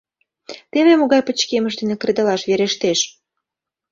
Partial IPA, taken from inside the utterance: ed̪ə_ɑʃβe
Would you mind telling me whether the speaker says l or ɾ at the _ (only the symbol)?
l